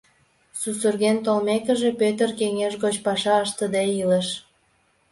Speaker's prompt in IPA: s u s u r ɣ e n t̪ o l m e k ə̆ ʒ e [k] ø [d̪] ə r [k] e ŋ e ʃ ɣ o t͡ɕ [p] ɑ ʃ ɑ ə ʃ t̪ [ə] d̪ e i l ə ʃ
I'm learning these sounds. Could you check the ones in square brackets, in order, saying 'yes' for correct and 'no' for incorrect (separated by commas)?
no, no, yes, yes, yes